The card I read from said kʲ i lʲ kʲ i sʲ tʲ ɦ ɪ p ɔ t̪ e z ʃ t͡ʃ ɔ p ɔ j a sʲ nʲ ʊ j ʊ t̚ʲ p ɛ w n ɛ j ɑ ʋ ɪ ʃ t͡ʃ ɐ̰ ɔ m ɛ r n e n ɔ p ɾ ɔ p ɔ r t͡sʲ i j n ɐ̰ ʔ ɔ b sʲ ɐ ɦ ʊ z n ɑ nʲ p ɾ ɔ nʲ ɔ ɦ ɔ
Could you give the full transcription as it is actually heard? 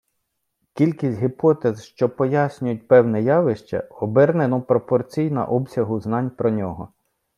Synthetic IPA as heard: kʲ i lʲ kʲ i sʲ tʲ ɦ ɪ p ɔ t̪ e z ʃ t͡ʃ ɔ p ɔ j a sʲ nʲ ʊ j ʊ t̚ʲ p ɛ w n ɛ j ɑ ʋ ɪ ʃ t͡ʃ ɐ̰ ɔ b ɛ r n e n ɔ p ɾ ɔ p ɔ r t͡sʲ i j n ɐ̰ ʔ ɔ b sʲ ɐ ɦ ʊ z n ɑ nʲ p ɾ ɔ nʲ ɔ ɦ ɔ